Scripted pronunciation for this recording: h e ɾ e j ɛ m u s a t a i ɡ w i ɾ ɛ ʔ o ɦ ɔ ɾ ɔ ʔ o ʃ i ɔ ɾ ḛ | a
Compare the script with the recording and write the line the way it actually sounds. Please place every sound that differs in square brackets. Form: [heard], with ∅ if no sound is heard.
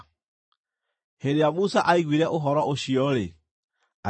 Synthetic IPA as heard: h e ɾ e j [a] m u s a [ʔ] a i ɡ w i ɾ ɛ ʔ o ɦ ɔ ɾ ɔ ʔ o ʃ i ɔ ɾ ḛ | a

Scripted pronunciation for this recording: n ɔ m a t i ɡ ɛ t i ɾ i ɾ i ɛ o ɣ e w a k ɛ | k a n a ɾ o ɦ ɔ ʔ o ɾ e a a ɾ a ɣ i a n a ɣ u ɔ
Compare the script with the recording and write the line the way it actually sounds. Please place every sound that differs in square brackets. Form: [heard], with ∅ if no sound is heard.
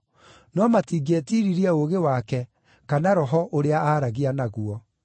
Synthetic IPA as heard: n ɔ m a t i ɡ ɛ t i ɾ i ɾ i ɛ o ɣ e w a k ɛ | k a n a ɾ [ɔ] ɦ ɔ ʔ o ɾ e a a ɾ a ɣ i a n a ɣ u ɔ

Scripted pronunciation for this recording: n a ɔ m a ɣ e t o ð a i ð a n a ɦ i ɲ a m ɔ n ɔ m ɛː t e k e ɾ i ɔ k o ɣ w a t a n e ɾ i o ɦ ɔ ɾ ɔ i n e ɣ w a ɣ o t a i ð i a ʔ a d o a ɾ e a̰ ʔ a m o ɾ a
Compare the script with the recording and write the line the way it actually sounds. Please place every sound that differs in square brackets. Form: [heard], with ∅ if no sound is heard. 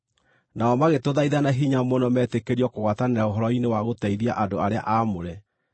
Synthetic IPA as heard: n a ɔ m a ɣ e t o ð a i ð a n a ɦ i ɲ a m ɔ n ɔ m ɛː t e k e ɾ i ɔ k o ɣ w a t a n e ɾ [a] o ɦ ɔ ɾ ɔ i n e [∅] w a ɣ o t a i ð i a ʔ a d o a ɾ e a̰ ʔ a m o ɾ [ɛ]

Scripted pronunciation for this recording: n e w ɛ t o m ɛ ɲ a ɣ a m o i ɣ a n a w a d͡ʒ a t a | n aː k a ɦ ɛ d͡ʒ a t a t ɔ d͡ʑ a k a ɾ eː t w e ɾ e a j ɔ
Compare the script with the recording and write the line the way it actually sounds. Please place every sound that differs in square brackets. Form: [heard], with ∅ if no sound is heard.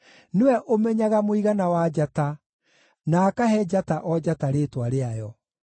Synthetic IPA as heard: n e w ɛ [ʔ] o m ɛ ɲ a ɣ a m o i ɣ a n a w a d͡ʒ a t a | n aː k a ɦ ɛ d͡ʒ a t a [ʔ] ɔ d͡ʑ a [t] a ɾ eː t w [a] ɾ e a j ɔ

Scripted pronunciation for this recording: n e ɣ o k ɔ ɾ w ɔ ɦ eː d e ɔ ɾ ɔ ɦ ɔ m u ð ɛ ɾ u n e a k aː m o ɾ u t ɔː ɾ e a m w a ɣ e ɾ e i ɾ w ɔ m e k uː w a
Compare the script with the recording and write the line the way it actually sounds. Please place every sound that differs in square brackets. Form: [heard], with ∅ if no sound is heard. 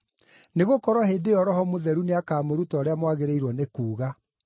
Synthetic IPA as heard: n e ɣ o k ɔ ɾ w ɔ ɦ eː d e ɔ ɾ ɔ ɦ ɔ m [o] ð ɛ ɾ u n e a k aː m o ɾ u t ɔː ɾ e a m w a ɣ e ɾ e i ɾ w ɔ [n] e k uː [ɣ] a

